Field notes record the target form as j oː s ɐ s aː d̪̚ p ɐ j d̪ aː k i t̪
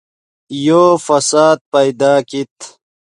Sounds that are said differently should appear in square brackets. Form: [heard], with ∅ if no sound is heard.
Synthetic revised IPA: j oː [f] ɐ s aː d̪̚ p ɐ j d̪ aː k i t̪